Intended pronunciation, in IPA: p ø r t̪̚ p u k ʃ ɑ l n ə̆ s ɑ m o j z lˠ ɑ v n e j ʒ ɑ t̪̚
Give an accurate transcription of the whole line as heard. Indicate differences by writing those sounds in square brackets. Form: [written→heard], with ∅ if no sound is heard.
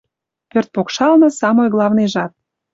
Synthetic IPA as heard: p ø r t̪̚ p [u→o] k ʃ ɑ l n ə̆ s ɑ m o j [z→ɣ] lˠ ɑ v n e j ʒ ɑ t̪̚